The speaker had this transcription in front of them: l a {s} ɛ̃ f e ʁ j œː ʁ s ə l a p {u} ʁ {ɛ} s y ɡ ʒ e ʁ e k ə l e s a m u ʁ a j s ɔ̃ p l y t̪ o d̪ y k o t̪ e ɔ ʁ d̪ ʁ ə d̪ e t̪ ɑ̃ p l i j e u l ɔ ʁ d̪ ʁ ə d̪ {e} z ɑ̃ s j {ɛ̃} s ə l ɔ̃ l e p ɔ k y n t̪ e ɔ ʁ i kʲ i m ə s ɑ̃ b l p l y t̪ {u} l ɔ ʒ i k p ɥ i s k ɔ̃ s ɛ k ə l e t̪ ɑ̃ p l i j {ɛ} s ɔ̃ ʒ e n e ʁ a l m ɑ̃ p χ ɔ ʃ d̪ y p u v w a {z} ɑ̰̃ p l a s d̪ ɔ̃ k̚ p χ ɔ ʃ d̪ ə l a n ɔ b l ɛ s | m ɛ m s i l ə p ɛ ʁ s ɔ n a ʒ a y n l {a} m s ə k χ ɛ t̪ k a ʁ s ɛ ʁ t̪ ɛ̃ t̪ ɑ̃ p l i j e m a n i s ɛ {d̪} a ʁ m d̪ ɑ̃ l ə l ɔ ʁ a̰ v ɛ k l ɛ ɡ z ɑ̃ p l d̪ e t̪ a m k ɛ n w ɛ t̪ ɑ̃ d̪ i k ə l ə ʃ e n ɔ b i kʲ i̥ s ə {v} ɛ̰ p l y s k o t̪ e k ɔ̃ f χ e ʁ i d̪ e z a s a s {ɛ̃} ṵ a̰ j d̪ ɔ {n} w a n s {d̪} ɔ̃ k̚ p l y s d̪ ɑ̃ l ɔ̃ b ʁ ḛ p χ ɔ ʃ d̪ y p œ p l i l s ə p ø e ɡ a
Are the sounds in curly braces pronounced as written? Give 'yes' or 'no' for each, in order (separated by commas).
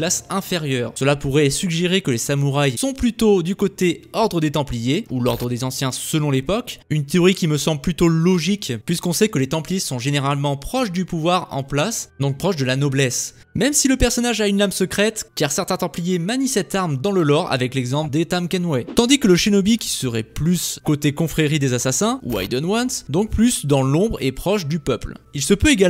yes, yes, yes, yes, yes, no, no, no, yes, no, no, yes, yes, yes